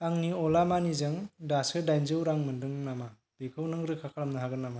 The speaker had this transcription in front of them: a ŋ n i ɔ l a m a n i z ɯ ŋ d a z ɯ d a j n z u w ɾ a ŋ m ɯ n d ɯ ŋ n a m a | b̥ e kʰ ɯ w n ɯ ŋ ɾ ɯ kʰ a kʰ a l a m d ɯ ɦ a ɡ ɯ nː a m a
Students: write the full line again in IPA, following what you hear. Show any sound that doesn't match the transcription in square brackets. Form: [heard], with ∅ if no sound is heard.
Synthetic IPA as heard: a ŋ n i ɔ l a m a n i z ɯ ŋ d a [s] ɯ d a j n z [ɯ] w ɾ a ŋ m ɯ n d ɯ ŋ n a m a | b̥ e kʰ ɯ w n ɯ ŋ ɾ ɯ kʰ a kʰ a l a m [n] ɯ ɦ a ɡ ɯ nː a m a